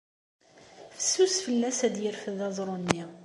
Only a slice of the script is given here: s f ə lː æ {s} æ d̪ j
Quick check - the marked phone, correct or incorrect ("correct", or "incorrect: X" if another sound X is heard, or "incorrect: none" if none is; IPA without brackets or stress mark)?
correct